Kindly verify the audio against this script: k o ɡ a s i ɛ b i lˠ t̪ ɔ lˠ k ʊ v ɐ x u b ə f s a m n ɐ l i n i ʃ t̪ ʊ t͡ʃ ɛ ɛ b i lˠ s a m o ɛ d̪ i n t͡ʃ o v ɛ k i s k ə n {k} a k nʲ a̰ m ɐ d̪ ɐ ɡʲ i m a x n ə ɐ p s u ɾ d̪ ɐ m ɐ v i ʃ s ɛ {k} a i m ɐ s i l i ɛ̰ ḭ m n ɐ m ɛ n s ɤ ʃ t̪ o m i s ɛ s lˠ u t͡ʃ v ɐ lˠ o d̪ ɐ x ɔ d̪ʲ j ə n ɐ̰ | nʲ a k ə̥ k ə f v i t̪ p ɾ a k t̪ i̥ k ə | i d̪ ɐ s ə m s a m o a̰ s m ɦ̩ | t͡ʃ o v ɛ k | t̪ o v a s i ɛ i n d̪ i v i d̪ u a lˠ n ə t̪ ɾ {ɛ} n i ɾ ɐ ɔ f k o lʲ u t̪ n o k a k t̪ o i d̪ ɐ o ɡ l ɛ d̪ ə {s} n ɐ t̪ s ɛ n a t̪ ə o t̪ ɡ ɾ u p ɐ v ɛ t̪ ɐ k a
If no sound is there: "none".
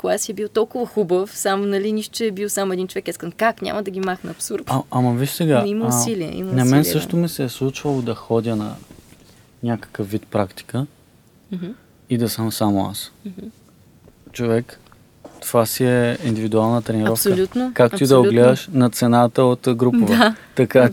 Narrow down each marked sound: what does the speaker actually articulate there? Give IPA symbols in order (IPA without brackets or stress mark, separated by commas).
k, ɡ, ɛ, ʃ